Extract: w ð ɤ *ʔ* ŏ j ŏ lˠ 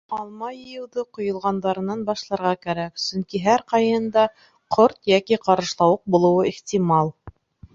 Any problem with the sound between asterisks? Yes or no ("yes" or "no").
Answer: yes